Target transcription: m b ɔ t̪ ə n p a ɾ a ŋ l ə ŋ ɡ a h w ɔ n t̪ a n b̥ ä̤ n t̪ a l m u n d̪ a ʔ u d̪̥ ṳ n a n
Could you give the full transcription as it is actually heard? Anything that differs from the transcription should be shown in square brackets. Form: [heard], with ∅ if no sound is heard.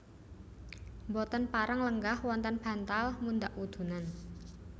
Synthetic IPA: m b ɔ t̪ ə n p a ɾ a ŋ l ə ŋ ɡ a h w ɔ n t̪ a n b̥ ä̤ n t̪ a l m u n d̪ a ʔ u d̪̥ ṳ n a n